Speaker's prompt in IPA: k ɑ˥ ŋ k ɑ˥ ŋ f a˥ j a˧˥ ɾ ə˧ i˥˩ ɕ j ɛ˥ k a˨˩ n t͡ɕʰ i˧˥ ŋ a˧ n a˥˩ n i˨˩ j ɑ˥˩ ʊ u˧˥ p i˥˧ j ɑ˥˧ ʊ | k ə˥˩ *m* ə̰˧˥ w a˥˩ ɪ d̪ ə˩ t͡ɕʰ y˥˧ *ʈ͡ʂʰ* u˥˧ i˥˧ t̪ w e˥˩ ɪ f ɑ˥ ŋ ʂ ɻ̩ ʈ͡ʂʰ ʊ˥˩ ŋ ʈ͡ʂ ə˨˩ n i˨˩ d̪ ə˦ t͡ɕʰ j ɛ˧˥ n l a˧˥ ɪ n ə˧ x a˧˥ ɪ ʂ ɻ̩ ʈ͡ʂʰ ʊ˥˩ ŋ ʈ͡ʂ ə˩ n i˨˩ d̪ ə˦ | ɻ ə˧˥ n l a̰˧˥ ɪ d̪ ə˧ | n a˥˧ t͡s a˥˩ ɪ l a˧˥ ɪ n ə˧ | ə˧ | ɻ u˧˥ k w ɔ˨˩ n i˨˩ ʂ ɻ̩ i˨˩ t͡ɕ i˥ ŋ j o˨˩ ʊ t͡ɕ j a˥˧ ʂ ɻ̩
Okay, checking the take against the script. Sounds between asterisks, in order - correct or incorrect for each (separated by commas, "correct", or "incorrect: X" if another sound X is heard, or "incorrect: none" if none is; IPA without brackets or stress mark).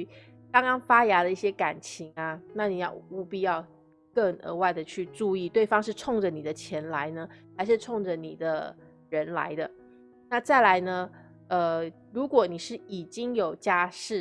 incorrect: ŋ, incorrect: ʈ͡ʂ